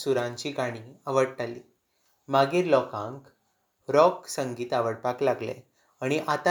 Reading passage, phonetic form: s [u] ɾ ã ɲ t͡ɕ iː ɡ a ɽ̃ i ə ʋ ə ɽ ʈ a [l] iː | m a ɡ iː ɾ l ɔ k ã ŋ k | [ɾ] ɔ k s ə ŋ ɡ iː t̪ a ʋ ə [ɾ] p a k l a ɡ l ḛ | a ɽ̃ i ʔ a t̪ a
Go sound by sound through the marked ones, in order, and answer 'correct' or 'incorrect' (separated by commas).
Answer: correct, correct, correct, incorrect